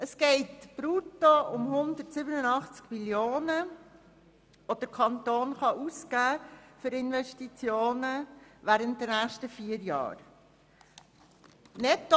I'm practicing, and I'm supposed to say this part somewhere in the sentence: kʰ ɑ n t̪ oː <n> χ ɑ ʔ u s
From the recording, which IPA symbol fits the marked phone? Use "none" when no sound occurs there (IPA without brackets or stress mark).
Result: n